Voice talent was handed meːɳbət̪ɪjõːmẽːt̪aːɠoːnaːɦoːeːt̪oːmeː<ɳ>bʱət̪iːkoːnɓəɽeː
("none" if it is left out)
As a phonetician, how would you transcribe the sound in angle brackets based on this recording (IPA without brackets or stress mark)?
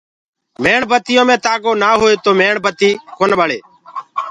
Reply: ɳ